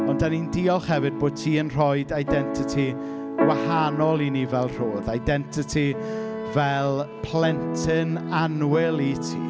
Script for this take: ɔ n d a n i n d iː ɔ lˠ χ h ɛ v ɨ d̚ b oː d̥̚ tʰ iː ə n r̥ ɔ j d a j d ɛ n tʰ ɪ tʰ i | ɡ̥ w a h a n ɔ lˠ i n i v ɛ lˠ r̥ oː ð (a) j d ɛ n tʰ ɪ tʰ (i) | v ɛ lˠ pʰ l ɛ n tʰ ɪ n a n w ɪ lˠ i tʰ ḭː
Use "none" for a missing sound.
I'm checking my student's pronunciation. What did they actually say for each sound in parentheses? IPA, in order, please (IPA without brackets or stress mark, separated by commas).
a, i